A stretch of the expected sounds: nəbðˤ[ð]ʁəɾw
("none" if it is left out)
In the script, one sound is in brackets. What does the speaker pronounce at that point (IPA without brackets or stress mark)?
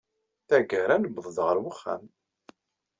ð